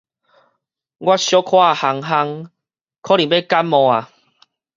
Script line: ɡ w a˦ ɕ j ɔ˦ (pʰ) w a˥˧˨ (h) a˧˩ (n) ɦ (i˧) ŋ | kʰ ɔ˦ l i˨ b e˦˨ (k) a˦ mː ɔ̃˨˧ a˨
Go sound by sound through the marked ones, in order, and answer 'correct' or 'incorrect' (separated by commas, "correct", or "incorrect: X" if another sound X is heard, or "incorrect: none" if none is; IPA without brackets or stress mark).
incorrect: kʰ, correct, incorrect: ŋ, incorrect: a˧, correct